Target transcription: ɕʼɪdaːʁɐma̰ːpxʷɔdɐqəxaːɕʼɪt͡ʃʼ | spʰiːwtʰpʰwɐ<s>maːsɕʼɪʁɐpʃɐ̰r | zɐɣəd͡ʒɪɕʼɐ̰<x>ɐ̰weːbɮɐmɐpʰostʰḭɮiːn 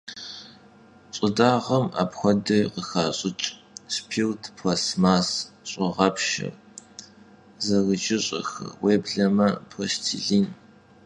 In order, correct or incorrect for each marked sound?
correct, correct

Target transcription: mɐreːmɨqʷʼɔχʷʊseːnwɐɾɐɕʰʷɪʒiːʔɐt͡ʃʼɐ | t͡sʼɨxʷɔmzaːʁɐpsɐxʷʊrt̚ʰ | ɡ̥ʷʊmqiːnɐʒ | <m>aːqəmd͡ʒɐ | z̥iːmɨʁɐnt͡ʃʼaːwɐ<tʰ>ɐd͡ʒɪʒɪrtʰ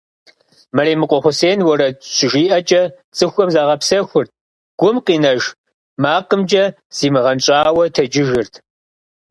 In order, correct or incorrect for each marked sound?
correct, correct

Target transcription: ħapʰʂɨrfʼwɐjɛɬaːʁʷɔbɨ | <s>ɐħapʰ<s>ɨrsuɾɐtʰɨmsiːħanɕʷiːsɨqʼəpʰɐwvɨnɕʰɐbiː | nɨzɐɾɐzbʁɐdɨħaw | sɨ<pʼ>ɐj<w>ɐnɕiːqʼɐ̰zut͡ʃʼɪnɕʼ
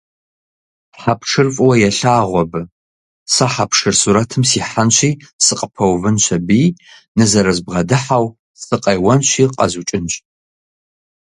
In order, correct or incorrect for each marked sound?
correct, incorrect: ʂ, incorrect: qʼ, correct

